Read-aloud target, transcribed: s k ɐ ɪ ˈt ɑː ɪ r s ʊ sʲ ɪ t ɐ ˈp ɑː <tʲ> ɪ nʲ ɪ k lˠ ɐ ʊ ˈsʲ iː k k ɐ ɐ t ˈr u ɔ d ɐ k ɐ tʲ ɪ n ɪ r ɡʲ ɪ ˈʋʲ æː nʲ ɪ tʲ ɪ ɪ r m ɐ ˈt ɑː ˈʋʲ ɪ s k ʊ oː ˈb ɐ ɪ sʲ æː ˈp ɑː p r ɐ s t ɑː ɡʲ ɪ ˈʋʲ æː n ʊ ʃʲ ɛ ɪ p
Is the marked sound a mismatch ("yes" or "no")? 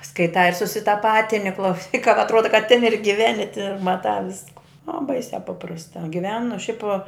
no